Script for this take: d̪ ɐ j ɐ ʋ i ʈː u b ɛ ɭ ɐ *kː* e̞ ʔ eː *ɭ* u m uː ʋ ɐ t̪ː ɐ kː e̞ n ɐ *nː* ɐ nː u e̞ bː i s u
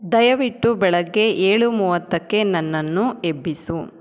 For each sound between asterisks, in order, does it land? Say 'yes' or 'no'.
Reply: no, yes, yes

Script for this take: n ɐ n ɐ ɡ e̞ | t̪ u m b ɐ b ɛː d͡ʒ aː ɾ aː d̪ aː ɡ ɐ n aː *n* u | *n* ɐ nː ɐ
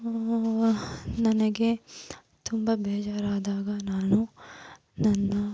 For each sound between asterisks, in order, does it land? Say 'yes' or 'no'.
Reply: yes, yes

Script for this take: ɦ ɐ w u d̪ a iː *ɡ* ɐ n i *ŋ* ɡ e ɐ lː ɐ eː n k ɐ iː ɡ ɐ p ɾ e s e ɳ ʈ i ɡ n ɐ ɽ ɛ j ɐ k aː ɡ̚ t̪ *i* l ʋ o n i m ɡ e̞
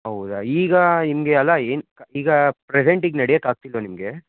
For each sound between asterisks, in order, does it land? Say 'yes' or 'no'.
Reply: yes, no, yes

